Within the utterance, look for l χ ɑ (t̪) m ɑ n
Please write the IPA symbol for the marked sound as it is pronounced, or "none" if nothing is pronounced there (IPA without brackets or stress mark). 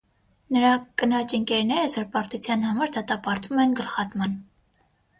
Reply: t̪